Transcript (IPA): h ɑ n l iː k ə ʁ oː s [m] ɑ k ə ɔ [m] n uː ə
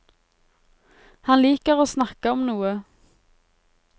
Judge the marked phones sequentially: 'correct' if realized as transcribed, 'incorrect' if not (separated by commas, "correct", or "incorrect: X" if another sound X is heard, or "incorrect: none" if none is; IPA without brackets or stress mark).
incorrect: n, correct